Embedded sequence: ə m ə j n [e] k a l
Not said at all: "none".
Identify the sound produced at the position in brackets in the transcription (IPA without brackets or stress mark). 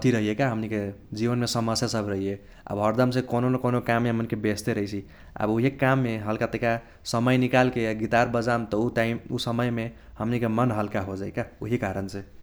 i